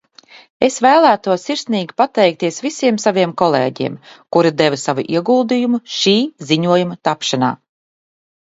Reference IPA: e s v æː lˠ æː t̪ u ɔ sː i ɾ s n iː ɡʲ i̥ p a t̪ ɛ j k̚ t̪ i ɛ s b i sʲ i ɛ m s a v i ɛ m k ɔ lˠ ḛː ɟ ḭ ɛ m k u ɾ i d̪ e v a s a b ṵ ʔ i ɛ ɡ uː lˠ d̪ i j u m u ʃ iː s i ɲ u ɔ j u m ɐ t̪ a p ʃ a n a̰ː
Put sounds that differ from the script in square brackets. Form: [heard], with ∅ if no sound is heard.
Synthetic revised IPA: e s v æː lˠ æː t̪ u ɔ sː i ɾ s n iː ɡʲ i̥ p a t̪ ɛ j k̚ t̪ i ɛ s [v] i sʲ i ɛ m s a v i ɛ m k ɔ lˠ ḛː ɟ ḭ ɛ m k u ɾ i d̪ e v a s a [v] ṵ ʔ i ɛ ɡ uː lˠ d̪ i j u m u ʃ iː [z] i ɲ u ɔ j u m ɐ t̪ a p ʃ a n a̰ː